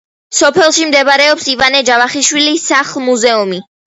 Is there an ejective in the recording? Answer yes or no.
no